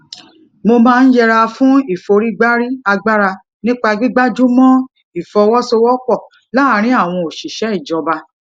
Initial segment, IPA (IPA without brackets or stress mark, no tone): m